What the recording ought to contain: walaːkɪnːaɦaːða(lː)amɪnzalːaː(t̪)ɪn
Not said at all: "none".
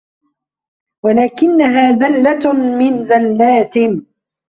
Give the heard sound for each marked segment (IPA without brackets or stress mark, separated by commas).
lː, t̪